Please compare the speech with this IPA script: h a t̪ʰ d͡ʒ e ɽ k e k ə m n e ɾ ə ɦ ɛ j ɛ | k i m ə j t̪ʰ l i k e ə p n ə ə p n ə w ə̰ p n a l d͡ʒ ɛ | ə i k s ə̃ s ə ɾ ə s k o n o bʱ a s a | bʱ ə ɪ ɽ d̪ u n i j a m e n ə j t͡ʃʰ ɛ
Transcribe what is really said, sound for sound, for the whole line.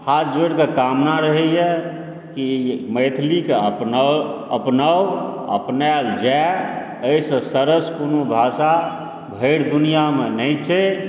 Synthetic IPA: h a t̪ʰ d͡ʒ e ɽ k e k a m n a ɾ ə ɦ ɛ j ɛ | k i m ə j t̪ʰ l i k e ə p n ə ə p n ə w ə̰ p n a l d͡ʒ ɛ | ə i s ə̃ s ə ɾ ə s k o n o bʱ a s a | bʱ ə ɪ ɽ d̪ u n i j a m e n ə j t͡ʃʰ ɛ